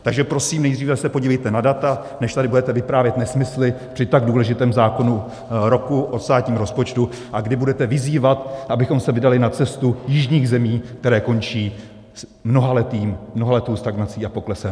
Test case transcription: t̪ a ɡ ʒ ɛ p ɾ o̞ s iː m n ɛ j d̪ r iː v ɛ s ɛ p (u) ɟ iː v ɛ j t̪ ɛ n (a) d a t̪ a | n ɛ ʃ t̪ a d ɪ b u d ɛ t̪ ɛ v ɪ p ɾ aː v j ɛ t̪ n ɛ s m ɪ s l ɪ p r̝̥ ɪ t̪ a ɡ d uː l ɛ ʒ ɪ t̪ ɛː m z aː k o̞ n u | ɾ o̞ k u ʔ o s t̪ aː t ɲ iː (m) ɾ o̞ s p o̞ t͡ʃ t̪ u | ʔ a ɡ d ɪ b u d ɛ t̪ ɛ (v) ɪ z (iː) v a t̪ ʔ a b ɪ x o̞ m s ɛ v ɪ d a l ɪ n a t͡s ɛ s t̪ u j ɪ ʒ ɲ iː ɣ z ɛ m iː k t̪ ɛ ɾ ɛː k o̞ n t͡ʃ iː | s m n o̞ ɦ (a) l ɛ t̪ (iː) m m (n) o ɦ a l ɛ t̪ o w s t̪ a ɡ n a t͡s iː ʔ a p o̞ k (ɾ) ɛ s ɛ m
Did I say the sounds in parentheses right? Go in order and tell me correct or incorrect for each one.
incorrect: o, correct, correct, correct, correct, correct, correct, correct, incorrect: l

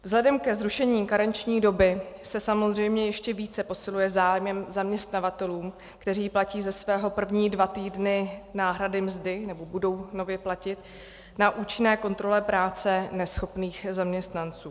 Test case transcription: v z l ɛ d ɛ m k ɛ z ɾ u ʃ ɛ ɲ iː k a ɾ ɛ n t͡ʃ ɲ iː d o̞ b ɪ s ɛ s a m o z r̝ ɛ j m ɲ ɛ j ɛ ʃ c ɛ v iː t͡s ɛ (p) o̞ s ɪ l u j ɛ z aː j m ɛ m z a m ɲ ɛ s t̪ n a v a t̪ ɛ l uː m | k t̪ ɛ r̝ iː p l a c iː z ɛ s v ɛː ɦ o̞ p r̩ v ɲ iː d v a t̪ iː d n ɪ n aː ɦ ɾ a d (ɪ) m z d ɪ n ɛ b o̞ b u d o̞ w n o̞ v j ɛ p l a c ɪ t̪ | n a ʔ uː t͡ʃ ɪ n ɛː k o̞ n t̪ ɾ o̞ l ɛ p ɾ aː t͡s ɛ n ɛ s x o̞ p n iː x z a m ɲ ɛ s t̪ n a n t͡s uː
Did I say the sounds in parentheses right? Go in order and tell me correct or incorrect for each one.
correct, correct

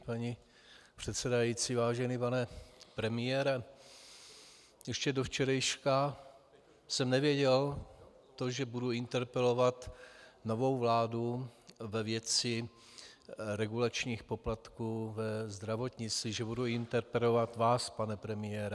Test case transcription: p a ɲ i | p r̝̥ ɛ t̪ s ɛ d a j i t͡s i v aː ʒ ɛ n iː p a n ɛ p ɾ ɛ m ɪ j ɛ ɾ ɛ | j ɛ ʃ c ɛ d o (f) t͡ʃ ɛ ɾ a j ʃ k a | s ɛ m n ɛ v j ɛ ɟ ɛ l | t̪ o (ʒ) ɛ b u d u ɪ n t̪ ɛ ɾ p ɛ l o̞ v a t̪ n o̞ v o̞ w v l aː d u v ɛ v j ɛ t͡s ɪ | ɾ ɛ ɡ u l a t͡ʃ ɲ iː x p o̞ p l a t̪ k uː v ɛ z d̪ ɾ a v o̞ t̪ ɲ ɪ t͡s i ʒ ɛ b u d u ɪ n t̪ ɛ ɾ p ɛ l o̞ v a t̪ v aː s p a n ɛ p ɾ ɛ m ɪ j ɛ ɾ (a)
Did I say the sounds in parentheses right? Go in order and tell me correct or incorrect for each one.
correct, correct, incorrect: ɛ

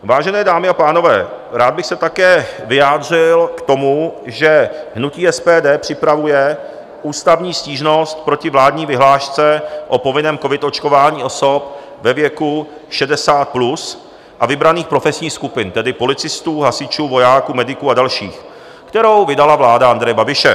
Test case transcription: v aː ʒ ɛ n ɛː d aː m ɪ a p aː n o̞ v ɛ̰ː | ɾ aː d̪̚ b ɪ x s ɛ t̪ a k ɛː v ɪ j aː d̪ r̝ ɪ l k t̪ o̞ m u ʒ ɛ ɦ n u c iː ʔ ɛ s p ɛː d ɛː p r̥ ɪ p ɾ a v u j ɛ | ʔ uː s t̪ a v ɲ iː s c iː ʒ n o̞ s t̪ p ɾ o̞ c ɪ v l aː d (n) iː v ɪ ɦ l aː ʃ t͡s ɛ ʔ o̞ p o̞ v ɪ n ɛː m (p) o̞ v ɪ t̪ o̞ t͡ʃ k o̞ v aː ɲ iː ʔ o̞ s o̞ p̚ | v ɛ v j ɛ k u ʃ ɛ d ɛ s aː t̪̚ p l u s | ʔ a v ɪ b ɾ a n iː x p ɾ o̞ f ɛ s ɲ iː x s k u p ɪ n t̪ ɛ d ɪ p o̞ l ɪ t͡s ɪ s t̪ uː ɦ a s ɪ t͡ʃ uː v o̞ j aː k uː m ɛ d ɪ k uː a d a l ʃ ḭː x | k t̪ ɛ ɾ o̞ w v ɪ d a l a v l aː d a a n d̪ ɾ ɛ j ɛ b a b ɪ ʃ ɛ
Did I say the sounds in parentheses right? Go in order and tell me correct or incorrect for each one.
incorrect: ɲ, incorrect: k

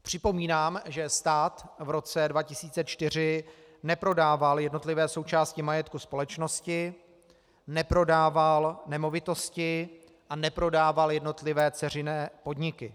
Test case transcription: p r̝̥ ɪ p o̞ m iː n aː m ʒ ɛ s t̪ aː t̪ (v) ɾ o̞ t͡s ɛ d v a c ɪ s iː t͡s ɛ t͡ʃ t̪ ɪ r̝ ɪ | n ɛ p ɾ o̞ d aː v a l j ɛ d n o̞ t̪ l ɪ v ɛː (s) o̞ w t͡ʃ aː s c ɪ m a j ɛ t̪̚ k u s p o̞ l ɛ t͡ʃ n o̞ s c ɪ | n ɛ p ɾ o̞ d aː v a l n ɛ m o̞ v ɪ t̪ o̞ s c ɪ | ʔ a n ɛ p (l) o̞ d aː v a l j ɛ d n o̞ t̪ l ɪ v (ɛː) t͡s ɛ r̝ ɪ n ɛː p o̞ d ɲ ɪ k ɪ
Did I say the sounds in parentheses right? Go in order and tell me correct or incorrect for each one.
correct, correct, incorrect: ɾ, correct

